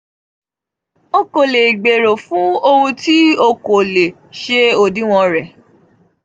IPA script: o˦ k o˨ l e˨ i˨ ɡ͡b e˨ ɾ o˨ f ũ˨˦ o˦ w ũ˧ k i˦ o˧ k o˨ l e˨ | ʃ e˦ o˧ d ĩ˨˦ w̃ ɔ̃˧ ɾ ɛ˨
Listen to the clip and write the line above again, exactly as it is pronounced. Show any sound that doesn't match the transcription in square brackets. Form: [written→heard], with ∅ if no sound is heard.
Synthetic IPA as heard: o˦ k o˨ l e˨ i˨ ɡ͡b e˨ ɾ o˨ f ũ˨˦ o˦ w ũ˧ [k→t] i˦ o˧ k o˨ l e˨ | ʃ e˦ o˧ d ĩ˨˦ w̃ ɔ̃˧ ɾ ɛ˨